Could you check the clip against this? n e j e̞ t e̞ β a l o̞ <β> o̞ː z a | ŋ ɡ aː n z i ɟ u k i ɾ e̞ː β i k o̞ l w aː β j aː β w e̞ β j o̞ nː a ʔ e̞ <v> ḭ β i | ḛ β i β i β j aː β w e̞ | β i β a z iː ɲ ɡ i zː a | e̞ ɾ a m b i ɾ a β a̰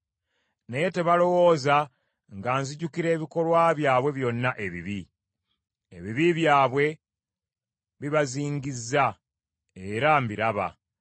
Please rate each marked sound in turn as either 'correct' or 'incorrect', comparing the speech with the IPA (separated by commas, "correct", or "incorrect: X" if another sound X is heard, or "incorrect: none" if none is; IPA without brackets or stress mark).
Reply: incorrect: w, incorrect: β